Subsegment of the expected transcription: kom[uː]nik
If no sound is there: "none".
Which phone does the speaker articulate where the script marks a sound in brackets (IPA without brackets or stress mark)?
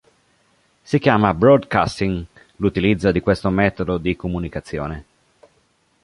u